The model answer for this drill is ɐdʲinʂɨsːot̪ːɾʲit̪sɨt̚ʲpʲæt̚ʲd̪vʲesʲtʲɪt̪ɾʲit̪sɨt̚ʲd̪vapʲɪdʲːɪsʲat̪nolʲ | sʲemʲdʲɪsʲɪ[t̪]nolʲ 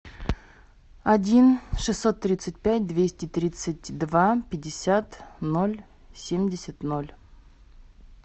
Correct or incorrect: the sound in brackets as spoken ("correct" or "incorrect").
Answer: correct